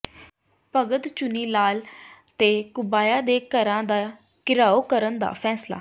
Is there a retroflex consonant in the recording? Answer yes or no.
no